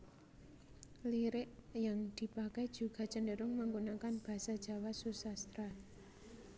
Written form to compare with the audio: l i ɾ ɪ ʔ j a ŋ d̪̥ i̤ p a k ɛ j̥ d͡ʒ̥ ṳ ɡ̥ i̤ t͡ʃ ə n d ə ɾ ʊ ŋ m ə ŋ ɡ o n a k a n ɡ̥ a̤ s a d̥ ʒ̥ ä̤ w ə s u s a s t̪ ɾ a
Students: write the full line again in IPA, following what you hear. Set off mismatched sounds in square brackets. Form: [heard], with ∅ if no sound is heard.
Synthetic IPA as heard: l i ɾ ɪ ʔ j a ŋ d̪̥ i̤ p a k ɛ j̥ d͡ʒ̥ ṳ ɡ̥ [a̤] t͡ʃ ə n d ə ɾ ʊ ŋ m ə ŋ ɡ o n a k a n [b̥] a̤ s a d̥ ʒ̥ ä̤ w [a] s u s a s t̪ ɾ a